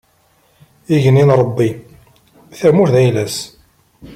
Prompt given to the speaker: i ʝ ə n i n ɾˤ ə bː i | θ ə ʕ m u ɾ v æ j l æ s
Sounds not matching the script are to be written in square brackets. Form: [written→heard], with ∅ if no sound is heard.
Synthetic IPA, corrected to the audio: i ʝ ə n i n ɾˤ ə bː i | θ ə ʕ m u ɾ [v→ð] æ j l æ s